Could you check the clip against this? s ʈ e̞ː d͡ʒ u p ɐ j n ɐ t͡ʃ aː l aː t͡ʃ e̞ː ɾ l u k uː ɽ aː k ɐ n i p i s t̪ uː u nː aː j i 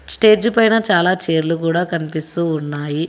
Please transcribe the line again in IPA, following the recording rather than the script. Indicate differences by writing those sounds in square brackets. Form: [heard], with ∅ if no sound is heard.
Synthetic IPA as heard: s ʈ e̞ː d͡ʒ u p ɐ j n ɐ t͡ʃ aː l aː t͡ʃ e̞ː ɾ l u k uː ɽ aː k ɐ n i p i s t̪ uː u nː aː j i